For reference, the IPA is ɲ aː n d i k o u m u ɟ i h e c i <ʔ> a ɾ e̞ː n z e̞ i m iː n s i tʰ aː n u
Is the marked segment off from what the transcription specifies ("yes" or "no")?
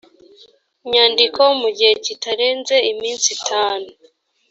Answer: yes